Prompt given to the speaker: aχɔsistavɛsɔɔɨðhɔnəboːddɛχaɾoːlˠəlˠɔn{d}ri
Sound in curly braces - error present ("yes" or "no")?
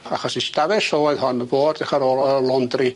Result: no